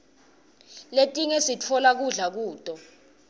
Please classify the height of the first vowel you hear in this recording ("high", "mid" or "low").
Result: mid